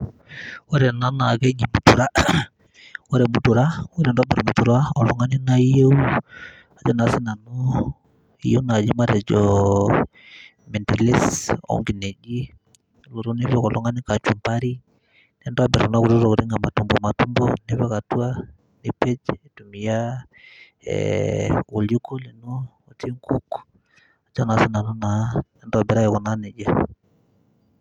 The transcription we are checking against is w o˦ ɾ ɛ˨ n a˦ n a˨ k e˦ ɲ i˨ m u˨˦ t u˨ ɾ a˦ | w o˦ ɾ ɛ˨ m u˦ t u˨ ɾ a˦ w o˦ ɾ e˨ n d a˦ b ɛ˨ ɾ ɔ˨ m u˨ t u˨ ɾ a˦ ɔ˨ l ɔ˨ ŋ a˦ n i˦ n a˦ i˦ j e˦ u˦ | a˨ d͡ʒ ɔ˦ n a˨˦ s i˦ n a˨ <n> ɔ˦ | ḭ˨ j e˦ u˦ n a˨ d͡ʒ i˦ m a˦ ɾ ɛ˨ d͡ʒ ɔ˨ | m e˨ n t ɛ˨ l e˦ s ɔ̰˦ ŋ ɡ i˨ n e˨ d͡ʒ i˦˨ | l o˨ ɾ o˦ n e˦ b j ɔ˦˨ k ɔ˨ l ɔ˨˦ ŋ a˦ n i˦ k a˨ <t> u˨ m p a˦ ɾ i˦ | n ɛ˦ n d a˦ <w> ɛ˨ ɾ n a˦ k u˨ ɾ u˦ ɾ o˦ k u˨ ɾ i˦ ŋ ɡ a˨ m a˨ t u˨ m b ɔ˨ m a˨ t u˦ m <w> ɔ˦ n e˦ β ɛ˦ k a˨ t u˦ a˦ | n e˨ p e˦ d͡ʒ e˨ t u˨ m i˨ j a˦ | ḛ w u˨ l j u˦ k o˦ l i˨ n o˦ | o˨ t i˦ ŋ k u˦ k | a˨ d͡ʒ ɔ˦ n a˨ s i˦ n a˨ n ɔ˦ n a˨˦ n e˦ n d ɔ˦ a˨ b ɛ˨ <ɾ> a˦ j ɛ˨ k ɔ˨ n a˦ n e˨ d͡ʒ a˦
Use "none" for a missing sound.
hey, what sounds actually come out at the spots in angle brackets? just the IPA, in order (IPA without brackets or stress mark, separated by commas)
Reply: n, t͡ʃ, b, b, ɾ